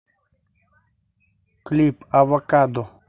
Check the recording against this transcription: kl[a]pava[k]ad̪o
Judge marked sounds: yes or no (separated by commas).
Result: no, yes